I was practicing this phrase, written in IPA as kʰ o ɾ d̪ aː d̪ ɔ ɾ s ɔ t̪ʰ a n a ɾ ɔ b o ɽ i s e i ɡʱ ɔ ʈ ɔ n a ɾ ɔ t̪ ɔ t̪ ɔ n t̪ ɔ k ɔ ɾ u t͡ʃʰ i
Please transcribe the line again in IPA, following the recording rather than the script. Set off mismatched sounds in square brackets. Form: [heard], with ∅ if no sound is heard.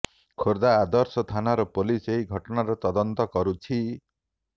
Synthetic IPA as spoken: kʰ o ɾ d̪ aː d̪ ɔ ɾ s ɔ t̪ʰ a n a ɾ ɔ [p] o [l] i s e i ɡʱ ɔ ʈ ɔ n a ɾ ɔ t̪ ɔ [d̪] ɔ n t̪ ɔ k ɔ ɾ u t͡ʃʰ i